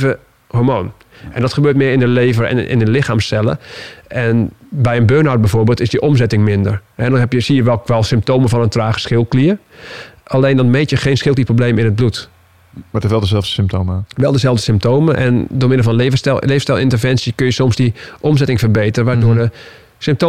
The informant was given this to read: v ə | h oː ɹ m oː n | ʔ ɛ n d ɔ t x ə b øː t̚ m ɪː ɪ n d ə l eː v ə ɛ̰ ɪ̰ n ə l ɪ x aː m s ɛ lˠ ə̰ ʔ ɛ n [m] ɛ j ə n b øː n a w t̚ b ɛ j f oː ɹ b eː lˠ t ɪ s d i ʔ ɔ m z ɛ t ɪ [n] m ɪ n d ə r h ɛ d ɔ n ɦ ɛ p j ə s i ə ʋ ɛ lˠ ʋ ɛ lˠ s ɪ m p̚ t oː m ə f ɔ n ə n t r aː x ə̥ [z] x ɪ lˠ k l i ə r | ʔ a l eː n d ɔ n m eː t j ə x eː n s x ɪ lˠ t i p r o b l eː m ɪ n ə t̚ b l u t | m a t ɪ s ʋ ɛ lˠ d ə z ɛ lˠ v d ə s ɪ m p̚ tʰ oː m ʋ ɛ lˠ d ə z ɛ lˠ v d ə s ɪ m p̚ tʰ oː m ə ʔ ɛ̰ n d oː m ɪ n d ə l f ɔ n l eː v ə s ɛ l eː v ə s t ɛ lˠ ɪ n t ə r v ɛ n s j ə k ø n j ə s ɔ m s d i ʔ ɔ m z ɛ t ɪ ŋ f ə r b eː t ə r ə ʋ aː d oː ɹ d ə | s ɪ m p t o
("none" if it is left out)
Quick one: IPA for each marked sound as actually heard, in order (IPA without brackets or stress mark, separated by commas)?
b, ŋ, s